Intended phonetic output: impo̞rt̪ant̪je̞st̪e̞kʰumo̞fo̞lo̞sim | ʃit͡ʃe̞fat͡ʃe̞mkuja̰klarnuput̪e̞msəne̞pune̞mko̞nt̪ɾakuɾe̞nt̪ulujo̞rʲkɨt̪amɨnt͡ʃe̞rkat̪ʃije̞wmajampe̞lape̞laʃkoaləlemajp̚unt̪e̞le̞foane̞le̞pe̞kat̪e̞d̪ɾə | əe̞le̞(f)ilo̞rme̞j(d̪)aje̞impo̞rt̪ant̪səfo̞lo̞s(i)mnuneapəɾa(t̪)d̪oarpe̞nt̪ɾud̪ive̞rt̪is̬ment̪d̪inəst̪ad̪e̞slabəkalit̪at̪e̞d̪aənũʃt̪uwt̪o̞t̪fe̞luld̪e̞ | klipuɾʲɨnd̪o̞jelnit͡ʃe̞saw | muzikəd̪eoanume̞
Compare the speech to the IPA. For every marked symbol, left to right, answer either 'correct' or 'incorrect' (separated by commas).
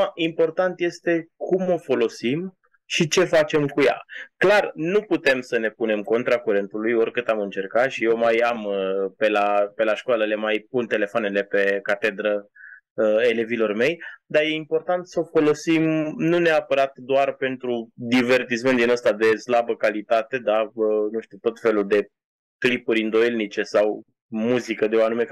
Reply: incorrect, correct, correct, correct